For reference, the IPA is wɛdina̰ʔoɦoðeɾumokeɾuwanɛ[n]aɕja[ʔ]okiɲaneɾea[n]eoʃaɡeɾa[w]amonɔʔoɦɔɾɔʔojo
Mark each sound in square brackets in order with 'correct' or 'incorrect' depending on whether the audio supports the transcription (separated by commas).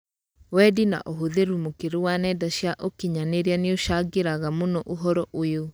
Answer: incorrect, correct, correct, incorrect